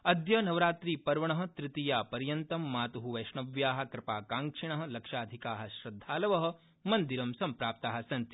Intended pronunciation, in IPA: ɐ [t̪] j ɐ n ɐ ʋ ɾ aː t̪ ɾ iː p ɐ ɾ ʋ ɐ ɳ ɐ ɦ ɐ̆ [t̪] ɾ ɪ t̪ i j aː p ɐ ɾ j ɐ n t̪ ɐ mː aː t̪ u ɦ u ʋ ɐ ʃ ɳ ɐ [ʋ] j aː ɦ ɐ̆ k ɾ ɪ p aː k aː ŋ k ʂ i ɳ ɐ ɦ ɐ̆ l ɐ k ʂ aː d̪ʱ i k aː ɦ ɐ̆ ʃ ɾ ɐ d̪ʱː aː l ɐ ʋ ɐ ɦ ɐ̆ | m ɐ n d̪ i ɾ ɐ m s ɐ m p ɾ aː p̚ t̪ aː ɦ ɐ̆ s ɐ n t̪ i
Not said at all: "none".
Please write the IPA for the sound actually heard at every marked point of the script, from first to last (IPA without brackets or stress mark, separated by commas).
d̪, t̪, ʋ